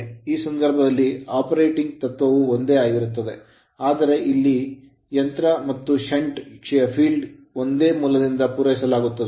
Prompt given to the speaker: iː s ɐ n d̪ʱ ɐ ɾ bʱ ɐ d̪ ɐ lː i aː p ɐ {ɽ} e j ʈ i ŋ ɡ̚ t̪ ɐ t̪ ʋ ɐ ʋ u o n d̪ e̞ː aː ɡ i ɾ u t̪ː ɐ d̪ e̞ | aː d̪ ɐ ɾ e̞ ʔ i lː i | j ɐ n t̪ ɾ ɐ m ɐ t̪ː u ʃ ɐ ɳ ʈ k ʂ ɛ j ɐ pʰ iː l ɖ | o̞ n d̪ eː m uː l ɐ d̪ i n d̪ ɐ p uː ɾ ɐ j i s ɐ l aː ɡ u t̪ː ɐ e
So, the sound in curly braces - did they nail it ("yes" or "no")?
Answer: no